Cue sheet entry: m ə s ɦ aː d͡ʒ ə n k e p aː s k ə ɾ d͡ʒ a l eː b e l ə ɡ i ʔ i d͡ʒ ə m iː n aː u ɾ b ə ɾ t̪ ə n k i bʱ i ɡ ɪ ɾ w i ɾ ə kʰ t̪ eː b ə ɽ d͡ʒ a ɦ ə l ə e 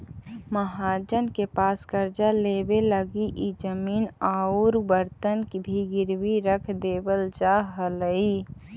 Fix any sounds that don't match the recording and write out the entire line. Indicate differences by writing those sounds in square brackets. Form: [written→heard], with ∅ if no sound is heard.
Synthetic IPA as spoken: m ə [s→∅] ɦ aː d͡ʒ ə n k e p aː s k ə ɾ d͡ʒ a l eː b e l ə ɡ i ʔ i d͡ʒ ə m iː n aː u ɾ b ə ɾ t̪ ə n k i bʱ i ɡ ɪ ɾ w i ɾ ə kʰ [t̪→d̪] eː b ə [ɽ→l] d͡ʒ a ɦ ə l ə [e→i]